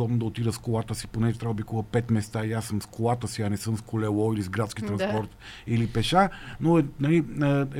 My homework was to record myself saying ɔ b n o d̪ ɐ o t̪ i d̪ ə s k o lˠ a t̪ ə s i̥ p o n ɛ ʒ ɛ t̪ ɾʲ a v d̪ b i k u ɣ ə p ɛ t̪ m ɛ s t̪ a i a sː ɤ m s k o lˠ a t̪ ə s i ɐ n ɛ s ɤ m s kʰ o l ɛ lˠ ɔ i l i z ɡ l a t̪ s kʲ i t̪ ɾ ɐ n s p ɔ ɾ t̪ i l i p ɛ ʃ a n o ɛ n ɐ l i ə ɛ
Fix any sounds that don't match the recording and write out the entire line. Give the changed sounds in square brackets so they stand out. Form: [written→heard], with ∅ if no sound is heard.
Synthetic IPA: ɔ b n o d̪ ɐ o t̪ i d̪ ə s k o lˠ a t̪ ə s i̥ p o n ɛ ʒ ɛ t̪ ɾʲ a v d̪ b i k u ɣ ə p ɛ t̪ m ɛ s t̪ a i a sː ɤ m s k o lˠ a t̪ ə s i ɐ n ɛ s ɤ m s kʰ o l ɛ lˠ ɔ i l i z ɡ [l→ɾ] a t̪ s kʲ i t̪ ɾ ɐ n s p ɔ ɾ t̪ i l i p ɛ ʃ a n o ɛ n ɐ l i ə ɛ